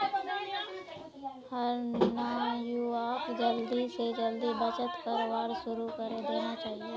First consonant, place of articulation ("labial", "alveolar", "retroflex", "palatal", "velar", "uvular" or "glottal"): glottal